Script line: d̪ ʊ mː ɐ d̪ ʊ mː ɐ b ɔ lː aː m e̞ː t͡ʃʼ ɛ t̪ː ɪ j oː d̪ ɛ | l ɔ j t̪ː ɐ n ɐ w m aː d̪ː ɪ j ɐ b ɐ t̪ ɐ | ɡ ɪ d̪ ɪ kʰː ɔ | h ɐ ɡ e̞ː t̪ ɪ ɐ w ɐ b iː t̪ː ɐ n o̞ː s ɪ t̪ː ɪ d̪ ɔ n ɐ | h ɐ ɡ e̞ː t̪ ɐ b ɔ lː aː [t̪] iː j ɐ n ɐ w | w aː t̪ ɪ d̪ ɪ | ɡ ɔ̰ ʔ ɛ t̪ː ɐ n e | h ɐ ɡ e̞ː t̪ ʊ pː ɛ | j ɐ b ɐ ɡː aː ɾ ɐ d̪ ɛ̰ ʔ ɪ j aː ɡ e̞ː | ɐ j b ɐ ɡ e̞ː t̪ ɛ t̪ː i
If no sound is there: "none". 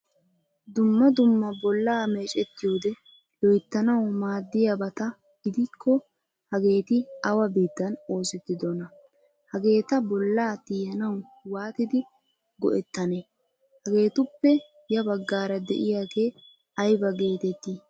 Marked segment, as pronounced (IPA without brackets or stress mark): t̪